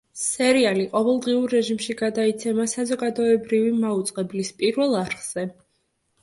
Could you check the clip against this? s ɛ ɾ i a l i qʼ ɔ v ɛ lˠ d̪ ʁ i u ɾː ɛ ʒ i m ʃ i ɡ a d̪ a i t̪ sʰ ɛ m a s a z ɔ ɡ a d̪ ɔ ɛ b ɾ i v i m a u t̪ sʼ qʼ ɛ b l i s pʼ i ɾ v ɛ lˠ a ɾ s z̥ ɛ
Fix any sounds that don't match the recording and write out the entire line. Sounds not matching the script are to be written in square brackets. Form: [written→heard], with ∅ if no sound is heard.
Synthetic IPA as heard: s ɛ ɾ i a l i qʼ ɔ v ɛ lˠ d̪ ʁ i u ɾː ɛ ʒ i m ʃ i ɡ a d̪ a i t̪ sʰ ɛ m a s a z ɔ ɡ a d̪ ɔ ɛ b ɾ i v i m a u t̪ sʼ qʼ ɛ b l i s pʼ i ɾ v ɛ lˠ a ɾ [s→χ] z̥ ɛ